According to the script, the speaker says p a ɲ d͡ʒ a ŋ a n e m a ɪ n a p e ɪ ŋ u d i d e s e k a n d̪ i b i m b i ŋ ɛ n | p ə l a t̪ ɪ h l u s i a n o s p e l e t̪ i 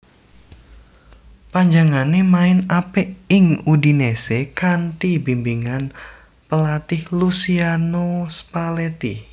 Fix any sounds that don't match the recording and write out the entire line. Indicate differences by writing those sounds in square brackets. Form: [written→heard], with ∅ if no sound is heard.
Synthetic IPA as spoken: p a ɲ d͡ʒ a ŋ a n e m a ɪ n a p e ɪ ŋ u d i [d→n] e s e k a n [d̪→t̪] i b i m b i ŋ [ɛ→a] n | p ə l a t̪ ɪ h l u s i a n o s p [e→a] l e t̪ i